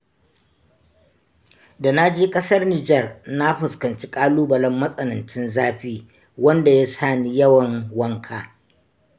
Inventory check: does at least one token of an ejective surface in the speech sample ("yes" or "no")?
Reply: yes